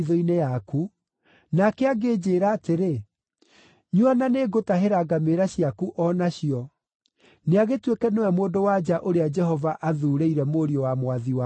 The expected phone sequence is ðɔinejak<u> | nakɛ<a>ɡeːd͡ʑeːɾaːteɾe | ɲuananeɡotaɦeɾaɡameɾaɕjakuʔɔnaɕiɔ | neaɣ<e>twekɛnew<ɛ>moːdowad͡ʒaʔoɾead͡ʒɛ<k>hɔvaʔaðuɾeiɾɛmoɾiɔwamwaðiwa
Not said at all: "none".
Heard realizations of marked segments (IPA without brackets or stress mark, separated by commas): u, a, e, ɛ, none